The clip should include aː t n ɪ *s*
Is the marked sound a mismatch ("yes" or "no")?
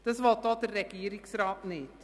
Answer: yes